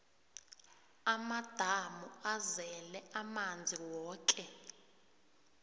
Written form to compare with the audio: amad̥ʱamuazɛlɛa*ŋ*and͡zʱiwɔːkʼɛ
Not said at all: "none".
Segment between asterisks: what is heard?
m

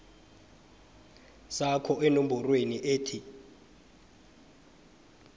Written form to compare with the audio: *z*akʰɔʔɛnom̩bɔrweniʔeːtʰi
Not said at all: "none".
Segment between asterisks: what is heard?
s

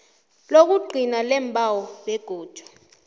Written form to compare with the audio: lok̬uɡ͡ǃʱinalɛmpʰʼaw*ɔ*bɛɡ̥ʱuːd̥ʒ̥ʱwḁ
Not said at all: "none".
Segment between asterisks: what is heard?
ɔ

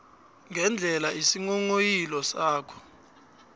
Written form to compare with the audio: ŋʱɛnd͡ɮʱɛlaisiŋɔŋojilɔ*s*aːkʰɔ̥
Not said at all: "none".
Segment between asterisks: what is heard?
s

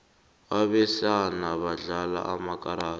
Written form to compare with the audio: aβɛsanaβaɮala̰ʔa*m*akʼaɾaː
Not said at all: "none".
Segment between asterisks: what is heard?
m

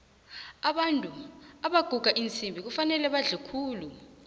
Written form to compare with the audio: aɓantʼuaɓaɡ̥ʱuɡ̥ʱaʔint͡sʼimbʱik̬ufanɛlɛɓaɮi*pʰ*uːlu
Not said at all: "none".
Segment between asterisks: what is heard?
kʰ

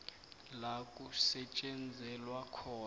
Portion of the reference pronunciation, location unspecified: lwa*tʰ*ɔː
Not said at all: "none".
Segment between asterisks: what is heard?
kʰ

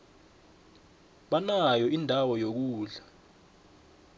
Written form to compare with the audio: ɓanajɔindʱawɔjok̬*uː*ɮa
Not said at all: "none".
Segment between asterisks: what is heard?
uː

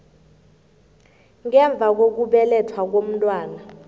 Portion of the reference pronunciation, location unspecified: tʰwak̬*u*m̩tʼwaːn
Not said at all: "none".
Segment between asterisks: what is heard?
o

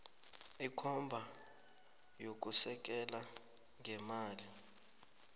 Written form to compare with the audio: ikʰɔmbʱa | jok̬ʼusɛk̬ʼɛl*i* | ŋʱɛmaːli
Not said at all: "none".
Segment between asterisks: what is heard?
a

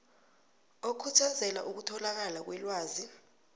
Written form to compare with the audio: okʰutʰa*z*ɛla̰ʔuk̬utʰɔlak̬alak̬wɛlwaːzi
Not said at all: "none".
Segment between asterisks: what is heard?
z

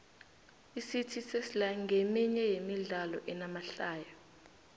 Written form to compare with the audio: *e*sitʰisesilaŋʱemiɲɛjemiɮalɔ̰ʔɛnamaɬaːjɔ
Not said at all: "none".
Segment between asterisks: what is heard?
i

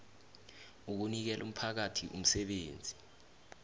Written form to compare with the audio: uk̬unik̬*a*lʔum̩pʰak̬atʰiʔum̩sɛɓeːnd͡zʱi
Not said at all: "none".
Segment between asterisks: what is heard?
ɛ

